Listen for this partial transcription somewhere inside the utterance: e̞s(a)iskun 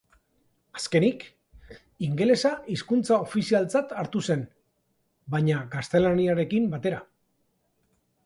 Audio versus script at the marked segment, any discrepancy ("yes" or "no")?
no